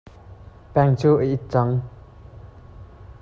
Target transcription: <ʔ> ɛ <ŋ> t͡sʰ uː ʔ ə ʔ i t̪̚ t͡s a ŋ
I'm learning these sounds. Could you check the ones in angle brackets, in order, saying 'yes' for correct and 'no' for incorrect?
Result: no, yes

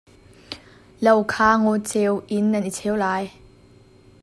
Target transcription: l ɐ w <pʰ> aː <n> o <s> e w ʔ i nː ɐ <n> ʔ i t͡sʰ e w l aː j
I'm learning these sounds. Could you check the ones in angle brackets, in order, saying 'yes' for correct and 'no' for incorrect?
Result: no, no, no, yes

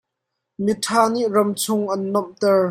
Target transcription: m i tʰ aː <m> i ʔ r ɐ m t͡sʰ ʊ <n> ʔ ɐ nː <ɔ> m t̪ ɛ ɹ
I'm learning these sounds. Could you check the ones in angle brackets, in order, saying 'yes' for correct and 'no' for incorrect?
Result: no, no, yes

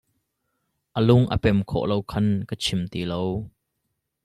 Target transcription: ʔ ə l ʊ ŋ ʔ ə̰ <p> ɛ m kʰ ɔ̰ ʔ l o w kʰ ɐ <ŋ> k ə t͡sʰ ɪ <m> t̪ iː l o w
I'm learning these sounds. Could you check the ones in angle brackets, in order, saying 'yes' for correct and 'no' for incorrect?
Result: yes, no, yes

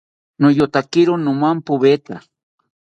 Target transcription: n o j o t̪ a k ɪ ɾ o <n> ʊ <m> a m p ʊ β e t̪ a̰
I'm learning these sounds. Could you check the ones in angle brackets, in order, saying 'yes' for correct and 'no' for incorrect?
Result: yes, yes

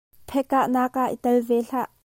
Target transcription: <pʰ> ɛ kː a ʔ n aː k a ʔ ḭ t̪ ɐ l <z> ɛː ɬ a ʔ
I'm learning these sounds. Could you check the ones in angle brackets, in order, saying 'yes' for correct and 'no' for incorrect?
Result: yes, no

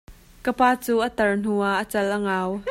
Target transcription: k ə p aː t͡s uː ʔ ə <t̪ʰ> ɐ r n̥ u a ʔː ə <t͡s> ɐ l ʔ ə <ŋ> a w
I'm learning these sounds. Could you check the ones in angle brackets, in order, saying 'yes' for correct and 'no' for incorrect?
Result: no, yes, yes

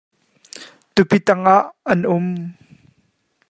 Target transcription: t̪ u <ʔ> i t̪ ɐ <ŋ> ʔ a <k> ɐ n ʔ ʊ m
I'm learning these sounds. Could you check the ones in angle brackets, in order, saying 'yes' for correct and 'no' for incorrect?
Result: no, yes, no

